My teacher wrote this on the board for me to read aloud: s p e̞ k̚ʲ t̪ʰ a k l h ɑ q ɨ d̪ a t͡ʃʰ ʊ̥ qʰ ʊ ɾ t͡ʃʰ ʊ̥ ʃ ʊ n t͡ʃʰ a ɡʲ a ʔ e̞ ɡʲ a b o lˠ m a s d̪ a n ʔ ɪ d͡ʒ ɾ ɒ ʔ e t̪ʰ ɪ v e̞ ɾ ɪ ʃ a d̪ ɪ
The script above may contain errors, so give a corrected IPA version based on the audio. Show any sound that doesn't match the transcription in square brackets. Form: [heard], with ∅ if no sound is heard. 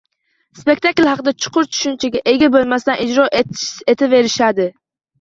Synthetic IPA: s p e̞ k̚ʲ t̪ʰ a k l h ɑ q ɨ d̪ a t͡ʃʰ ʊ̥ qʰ ʊ ɾ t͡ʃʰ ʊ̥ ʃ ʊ n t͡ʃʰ a ɡʲ a ʔ e̞ ɡʲ a b o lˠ m a s [t̪] a n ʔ ɪ d͡ʒ ɾ ɒ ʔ e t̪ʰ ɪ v e̞ ɾ ɪ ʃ a d̪ ɪ